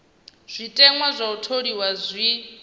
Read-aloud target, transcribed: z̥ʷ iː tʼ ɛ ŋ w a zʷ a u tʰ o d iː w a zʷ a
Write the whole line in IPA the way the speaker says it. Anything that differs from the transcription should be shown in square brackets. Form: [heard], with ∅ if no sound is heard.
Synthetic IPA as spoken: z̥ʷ [i] tʼ ɛ ŋ w a zʷ a u tʰ o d [i] w a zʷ [i]